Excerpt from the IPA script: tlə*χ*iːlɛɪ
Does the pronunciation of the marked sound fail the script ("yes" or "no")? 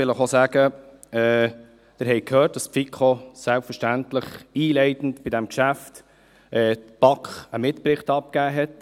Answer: no